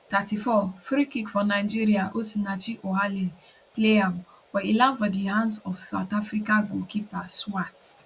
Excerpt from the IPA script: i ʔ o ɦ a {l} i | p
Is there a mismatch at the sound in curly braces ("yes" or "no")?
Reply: no